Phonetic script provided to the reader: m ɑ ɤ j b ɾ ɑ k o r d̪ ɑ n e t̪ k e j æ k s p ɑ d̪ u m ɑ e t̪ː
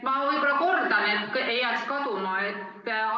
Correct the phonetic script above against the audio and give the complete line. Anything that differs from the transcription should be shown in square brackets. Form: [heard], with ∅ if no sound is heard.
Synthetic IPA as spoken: m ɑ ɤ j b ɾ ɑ k o r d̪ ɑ n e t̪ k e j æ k s [k] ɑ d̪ u m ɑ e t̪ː